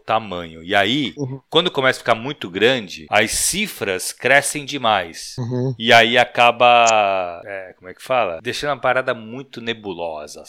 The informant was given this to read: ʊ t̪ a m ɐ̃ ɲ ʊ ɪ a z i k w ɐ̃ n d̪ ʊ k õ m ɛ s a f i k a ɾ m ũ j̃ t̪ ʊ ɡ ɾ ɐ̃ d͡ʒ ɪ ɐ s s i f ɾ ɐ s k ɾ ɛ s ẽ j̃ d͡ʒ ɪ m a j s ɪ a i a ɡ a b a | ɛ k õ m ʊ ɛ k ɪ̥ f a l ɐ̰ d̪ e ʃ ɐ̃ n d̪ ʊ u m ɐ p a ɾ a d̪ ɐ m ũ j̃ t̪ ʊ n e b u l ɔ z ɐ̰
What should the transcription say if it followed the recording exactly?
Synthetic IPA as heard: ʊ t̪ a m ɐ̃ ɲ ʊ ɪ a i k w ɐ̃ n d̪ ʊ k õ m ɛ s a f i k a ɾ m ũ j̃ t̪ ʊ ɡ ɾ ɐ̃ d͡ʒ ɪ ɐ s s i f ɾ ɐ s k ɾ ɛ s ẽ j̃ d͡ʒ ɪ m a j s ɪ a i a k a b ɐ | ɛ k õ m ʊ ɛ k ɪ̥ f a l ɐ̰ d̪ e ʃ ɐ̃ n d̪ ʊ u m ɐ p a ɾ a d̪ ɐ m ũ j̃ t̪ ʊ n e b u l ɔ z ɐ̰